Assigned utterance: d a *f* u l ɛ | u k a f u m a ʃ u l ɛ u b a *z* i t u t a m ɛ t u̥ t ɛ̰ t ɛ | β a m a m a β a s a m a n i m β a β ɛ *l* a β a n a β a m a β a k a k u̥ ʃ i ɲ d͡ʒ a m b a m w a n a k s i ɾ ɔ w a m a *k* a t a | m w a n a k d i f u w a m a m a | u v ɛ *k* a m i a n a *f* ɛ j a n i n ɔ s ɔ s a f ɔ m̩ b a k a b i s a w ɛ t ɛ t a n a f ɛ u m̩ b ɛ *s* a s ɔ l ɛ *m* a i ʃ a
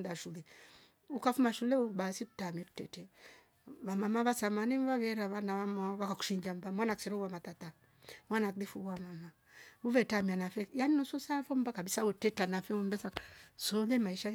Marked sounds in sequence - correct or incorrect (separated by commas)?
incorrect, incorrect, incorrect, incorrect, incorrect, correct, correct, correct